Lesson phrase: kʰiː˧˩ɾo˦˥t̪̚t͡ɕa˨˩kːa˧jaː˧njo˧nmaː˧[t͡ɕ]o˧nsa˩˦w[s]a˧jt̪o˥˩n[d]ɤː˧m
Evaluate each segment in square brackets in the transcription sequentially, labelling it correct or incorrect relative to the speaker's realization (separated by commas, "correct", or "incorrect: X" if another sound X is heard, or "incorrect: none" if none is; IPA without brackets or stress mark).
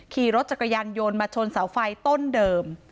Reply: incorrect: t͡ɕʰ, incorrect: f, correct